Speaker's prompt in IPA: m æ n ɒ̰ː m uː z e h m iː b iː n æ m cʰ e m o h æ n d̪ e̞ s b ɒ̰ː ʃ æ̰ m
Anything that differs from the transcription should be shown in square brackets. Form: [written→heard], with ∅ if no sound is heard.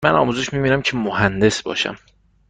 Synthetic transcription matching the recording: m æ n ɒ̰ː m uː z e [h→ʃ] m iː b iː n æ m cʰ e m o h æ n d̪ e̞ s b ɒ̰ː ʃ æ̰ m

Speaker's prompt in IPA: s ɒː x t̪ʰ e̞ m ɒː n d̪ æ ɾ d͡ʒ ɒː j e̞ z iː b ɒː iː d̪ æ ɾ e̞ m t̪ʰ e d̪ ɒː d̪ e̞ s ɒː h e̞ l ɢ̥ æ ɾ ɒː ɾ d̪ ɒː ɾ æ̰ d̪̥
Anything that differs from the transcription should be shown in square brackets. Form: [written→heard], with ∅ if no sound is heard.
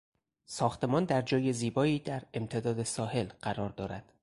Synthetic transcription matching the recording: s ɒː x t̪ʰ e̞ m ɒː n d̪ æ ɾ d͡ʒ ɒː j e̞ z iː b ɒː iː d̪ æ ɾ e̞ m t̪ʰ e d̪ ɒː d̪ e̞ s ɒː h e̞ l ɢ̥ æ ɾ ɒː ɾ d̪ ɒː ɾ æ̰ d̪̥

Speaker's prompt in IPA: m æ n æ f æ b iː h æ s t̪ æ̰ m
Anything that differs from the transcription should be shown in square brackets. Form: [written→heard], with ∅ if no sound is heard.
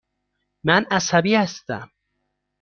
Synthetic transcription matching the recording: m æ n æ [f→s] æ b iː h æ s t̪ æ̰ m

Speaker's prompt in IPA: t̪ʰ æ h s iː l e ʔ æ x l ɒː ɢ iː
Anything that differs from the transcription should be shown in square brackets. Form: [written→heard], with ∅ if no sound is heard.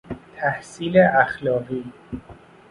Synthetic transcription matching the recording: t̪ʰ æ h s iː l e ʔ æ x l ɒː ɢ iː

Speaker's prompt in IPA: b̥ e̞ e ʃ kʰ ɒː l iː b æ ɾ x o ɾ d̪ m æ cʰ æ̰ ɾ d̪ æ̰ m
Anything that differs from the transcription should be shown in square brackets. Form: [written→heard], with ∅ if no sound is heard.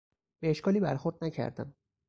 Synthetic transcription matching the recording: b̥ e̞ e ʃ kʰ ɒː l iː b æ ɾ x o ɾ d̪ [m→n] æ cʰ æ̰ ɾ d̪ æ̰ m

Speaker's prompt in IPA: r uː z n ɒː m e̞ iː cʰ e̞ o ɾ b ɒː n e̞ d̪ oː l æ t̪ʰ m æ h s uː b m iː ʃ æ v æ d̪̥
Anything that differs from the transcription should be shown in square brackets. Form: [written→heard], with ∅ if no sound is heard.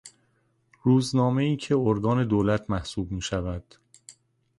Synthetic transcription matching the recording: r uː z n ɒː m e̞ iː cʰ e̞ o ɾ [b→ɡ] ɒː n e̞ d̪ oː l æ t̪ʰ m æ h s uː b m iː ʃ æ v æ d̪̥

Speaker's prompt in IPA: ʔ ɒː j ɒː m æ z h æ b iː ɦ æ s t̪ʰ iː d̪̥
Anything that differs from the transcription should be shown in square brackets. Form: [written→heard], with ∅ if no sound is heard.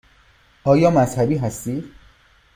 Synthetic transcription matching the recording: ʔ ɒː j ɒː m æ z h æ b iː ɦ æ s [t̪ʰ→t̪] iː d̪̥

